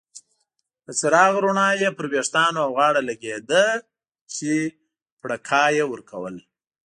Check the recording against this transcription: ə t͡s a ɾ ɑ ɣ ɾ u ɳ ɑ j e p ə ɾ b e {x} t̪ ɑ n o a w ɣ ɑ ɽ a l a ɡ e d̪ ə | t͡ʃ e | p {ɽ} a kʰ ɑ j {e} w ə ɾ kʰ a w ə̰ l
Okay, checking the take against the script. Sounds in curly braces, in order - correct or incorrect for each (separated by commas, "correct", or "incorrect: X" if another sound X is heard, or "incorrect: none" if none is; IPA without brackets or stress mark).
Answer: incorrect: ʂ, correct, correct